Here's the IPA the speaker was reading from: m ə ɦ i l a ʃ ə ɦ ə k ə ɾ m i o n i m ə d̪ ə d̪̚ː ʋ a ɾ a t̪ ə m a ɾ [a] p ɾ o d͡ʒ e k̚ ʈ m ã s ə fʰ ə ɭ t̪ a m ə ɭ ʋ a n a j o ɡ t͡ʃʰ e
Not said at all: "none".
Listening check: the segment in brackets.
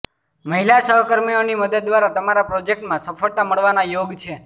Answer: a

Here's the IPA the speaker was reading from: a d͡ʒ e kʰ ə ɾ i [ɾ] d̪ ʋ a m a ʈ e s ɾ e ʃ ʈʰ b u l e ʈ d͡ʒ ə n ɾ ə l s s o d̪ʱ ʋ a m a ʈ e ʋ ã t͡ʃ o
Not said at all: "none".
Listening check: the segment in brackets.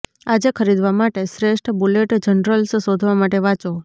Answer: none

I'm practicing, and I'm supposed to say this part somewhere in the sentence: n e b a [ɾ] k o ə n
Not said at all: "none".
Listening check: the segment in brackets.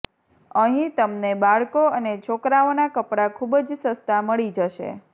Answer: ɭ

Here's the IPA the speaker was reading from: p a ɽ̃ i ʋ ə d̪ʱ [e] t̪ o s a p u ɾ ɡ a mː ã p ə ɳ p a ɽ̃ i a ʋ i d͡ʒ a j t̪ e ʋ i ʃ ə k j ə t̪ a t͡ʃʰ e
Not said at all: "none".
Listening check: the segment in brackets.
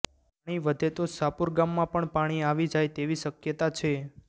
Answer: e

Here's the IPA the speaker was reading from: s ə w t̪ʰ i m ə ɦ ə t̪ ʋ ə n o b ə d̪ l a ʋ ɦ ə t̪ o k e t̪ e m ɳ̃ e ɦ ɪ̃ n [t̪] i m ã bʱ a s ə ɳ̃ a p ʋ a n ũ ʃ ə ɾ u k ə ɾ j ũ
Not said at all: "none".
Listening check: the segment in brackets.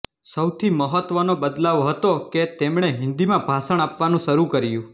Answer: d̪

